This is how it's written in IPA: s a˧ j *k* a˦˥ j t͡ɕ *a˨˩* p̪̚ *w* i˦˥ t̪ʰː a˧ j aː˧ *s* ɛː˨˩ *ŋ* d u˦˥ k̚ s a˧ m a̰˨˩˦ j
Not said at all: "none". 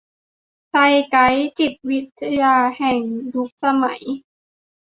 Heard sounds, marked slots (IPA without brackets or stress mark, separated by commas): k, i˨˩, w, h, ŋ